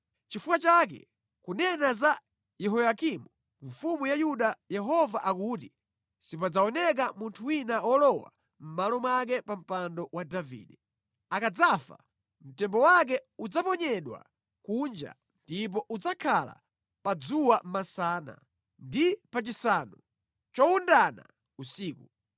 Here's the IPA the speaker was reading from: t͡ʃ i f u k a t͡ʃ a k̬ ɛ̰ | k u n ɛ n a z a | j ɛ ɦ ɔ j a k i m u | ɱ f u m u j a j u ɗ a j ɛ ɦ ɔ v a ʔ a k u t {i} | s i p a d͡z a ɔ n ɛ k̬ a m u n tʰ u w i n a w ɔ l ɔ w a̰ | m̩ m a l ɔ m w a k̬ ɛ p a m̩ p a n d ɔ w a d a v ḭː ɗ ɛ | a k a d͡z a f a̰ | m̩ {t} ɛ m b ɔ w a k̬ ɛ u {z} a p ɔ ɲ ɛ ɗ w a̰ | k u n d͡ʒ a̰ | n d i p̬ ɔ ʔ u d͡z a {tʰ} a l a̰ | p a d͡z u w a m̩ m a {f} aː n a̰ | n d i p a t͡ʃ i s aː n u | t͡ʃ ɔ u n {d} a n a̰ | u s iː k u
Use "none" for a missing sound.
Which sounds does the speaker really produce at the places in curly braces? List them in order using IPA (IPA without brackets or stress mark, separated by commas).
i, t, d͡z, kʰ, s, d